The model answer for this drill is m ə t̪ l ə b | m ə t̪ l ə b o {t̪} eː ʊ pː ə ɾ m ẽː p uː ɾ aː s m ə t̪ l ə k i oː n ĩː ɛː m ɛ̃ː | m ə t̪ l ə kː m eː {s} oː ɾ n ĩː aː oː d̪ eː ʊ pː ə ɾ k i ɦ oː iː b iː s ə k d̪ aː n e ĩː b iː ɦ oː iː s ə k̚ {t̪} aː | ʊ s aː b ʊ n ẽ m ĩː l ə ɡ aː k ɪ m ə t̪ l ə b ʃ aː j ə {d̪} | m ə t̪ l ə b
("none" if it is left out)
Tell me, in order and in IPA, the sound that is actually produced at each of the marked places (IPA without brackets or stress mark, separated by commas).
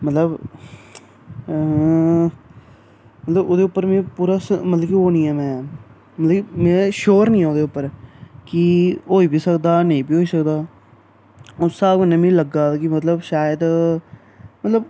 d̪, ʃ, d̪, d̪